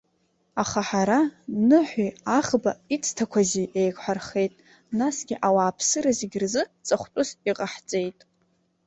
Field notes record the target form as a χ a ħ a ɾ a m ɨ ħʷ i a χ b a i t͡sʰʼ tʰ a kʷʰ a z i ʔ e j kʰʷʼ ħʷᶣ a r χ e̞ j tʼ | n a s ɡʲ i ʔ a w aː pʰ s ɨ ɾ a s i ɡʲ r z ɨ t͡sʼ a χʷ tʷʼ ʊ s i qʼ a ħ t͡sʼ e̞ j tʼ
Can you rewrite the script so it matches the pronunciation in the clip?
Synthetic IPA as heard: a χ a ħ a ɾ a n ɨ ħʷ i a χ b a i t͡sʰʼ tʰ a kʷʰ a z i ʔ e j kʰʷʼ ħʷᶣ a r χ e̞ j tʼ | n a s ɡʲ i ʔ a w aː pʰ s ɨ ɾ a z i ɡʲ r z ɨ t͡sʼ a χʷ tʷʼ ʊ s i qʼ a ħ t͡sʼ e̞ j tʼ